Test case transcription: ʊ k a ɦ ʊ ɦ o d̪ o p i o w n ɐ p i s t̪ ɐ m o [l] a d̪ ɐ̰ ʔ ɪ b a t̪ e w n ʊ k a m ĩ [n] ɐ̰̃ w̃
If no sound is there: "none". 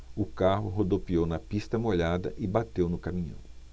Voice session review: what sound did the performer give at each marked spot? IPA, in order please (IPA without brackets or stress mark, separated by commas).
ʎ, ɲ